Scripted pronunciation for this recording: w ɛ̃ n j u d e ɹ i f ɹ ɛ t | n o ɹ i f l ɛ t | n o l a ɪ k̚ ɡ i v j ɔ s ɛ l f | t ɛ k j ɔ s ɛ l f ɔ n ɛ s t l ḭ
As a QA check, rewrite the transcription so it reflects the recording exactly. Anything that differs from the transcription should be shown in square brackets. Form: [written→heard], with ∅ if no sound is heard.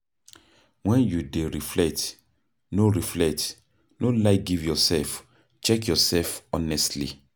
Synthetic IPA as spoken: w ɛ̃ n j u d e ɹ i f [ɹ→l] ɛ t | n o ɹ i f l ɛ t | n o l a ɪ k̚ ɡ i v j ɔ s ɛ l f | [t→t͡ʃ] ɛ k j ɔ s ɛ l f ɔ n ɛ s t l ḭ